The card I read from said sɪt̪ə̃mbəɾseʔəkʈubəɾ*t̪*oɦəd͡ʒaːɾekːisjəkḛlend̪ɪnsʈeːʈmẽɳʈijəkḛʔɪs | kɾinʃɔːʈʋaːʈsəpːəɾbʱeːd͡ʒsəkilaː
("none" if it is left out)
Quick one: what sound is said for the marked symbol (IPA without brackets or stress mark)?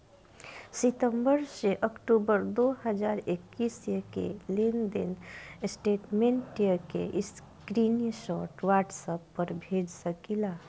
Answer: d̪